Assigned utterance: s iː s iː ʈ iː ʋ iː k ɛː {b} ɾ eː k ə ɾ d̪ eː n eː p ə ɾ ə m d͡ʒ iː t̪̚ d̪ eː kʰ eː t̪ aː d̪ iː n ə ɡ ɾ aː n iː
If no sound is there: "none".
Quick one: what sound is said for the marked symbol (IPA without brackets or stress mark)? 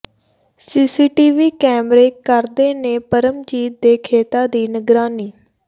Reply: m